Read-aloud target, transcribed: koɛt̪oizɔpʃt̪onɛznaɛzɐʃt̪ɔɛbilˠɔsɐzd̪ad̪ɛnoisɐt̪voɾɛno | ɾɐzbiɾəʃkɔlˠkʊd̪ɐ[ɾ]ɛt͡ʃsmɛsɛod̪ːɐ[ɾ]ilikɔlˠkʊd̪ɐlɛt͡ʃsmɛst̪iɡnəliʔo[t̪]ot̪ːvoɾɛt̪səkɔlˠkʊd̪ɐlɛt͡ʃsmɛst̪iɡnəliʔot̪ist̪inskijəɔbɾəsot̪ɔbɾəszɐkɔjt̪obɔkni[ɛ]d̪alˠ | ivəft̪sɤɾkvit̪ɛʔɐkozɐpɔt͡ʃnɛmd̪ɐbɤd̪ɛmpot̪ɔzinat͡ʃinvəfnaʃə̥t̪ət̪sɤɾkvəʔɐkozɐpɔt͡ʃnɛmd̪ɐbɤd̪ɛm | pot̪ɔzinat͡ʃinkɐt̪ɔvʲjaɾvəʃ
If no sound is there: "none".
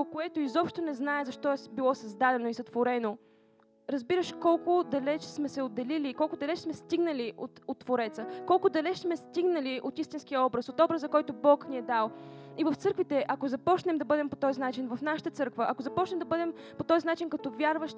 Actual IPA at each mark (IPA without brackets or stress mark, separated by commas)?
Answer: l, l, t̪, ɛ